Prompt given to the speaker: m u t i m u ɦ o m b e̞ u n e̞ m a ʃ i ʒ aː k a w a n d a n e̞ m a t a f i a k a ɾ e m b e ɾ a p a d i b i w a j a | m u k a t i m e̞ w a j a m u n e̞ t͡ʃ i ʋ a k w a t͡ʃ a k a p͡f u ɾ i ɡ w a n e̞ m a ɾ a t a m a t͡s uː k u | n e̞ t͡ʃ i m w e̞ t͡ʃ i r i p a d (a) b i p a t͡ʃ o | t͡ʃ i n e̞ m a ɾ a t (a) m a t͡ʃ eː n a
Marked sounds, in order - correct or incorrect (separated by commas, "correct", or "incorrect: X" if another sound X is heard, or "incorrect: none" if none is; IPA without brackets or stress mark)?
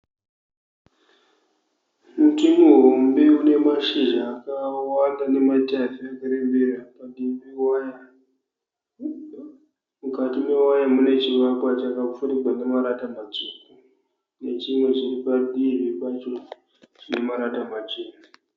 incorrect: i, correct